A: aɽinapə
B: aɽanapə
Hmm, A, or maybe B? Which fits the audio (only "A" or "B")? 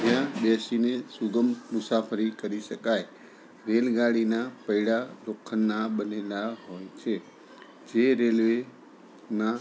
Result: A